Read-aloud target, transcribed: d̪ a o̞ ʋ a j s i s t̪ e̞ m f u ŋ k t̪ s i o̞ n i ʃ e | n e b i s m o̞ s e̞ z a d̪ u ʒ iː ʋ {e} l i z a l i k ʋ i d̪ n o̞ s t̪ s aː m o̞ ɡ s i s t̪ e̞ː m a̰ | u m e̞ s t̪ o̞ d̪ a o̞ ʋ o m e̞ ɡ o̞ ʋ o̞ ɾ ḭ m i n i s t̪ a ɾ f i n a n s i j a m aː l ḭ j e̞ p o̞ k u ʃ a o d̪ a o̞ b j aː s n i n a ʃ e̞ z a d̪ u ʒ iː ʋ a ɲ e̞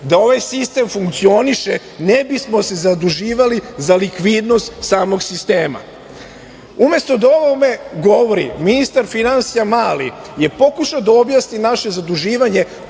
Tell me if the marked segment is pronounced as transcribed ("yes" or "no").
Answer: no